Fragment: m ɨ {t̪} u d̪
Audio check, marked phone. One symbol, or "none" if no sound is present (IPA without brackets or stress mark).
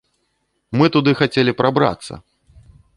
t̪